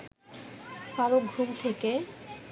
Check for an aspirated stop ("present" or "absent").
present